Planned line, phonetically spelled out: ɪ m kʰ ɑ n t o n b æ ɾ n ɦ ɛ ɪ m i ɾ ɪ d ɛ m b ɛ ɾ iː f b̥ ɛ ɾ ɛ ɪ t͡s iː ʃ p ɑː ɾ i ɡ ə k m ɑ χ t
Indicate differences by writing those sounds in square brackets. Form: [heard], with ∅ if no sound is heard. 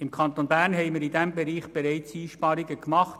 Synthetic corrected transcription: ɪ m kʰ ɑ n t o n b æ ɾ n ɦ ɛ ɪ m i ɾ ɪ d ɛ m b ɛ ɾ iː [χ] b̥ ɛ ɾ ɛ ɪ t͡s iː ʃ p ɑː ɾ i ɡ ə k m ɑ χ t